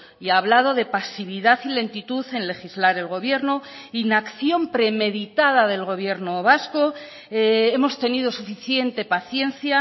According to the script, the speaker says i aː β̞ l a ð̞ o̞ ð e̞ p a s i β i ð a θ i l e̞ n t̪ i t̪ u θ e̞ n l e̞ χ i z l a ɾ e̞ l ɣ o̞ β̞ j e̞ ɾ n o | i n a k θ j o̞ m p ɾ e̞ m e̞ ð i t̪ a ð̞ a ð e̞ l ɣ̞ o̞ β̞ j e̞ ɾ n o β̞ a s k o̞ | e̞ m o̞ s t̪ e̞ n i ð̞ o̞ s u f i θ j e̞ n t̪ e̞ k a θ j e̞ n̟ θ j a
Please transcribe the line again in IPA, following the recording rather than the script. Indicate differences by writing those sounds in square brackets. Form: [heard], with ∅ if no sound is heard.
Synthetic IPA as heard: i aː β̞ l a ð̞ o̞ ð e̞ p a s i β i ð a θ i l e̞ n t̪ i t̪ u θ e̞ n l e̞ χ i z l a ɾ e̞ l ɣ o̞ β̞ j e̞ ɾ n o | i n a k θ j o̞ m p ɾ e̞ m e̞ ð i t̪ a ð̞ a ð e̞ l ɣ̞ o̞ β̞ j e̞ ɾ n o β̞ a s k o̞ | e̞ m o̞ s t̪ e̞ n i ð̞ o̞ s u f i θ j e̞ n t̪ e̞ [p] a θ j e̞ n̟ θ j a